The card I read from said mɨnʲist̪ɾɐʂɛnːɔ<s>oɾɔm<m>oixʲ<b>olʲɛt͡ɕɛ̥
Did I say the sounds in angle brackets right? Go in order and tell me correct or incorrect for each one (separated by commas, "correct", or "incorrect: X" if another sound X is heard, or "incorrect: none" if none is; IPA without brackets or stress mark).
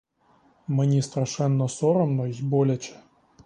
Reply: correct, incorrect: n, correct